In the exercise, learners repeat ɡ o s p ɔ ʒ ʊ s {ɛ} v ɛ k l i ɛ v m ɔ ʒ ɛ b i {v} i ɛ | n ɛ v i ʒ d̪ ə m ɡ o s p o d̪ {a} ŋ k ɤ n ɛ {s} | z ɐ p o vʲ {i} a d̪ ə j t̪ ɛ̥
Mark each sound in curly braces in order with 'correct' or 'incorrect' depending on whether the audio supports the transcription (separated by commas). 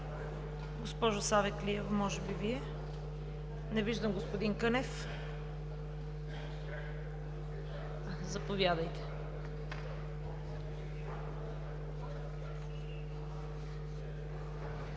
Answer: incorrect, correct, incorrect, incorrect, incorrect